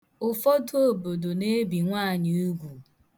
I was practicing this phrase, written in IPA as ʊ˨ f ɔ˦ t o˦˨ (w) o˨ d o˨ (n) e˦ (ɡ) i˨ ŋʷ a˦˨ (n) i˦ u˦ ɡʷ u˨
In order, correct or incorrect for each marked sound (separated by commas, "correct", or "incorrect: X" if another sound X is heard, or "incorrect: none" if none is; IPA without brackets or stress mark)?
incorrect: b, correct, incorrect: b, incorrect: ɲ